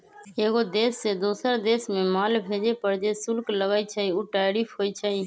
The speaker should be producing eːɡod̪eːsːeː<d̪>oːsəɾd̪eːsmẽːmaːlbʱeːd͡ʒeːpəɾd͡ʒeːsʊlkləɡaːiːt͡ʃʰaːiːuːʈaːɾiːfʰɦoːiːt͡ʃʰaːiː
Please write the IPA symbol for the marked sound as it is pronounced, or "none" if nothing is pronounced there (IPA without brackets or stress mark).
d̪